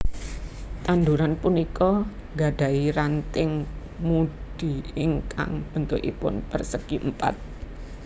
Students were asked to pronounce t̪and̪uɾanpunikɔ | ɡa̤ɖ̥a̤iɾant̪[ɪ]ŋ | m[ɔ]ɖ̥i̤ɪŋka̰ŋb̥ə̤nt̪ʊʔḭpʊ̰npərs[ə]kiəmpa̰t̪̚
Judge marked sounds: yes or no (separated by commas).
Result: yes, no, yes